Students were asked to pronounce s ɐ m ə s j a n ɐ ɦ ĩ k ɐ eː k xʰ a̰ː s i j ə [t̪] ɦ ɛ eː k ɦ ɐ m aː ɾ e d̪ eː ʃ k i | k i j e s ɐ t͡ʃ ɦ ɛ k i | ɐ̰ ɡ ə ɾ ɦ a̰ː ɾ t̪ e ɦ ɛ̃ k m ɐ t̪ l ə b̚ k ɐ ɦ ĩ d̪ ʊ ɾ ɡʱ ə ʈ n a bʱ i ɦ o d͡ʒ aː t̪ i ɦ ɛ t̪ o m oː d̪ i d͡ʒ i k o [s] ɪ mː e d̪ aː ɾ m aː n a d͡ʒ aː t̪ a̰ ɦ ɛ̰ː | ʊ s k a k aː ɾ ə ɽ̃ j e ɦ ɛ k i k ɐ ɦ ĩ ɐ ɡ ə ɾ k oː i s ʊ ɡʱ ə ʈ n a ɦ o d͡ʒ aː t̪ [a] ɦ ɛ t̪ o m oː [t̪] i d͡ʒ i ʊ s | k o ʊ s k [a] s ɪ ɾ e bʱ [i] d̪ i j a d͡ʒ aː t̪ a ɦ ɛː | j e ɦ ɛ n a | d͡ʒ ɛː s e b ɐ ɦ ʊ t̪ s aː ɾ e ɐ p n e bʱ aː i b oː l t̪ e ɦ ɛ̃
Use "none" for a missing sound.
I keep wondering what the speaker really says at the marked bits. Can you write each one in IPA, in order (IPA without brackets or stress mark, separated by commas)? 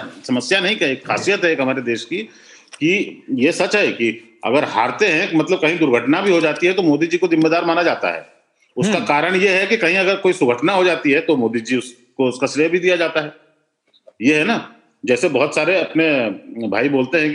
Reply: t̪, z, i, d̪, a, i